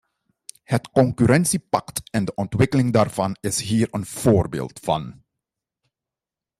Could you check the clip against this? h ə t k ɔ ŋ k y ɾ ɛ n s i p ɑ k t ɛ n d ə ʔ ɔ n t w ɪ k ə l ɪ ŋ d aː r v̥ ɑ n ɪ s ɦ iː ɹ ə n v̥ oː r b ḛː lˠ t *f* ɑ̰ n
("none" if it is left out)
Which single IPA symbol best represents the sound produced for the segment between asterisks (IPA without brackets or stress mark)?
f